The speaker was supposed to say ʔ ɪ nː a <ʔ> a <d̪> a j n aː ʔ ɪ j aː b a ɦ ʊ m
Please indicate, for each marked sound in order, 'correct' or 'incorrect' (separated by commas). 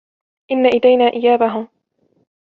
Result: correct, correct